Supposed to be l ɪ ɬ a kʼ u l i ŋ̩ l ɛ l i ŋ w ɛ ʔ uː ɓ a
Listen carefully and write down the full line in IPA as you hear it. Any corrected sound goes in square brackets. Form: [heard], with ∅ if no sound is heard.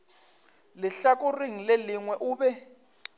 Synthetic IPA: l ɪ ɬ a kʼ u [r] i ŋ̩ l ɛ l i ŋ w ɛ ʔ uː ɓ [ɛ]